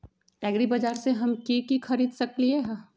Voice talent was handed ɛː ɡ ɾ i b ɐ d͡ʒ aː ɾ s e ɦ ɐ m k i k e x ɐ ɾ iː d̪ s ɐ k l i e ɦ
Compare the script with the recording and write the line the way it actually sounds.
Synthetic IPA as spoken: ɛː ɡ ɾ i b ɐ d͡ʒ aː ɾ s e ɦ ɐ m k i k i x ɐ ɾ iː d̪ s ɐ k l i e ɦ